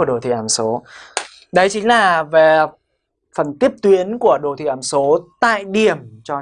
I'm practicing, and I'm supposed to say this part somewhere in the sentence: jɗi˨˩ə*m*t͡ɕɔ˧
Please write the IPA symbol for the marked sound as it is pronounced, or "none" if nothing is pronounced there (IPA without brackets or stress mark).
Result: m